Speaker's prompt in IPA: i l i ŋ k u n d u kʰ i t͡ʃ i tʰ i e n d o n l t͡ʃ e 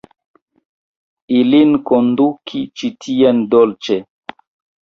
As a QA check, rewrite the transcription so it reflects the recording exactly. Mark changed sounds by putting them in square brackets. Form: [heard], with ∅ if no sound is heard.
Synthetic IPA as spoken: i l i [n] k [o] n d u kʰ i t͡ʃ i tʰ i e n d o [∅] l t͡ʃ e